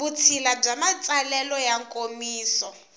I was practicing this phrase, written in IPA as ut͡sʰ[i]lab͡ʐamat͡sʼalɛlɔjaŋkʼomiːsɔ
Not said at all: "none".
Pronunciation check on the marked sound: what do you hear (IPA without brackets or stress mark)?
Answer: i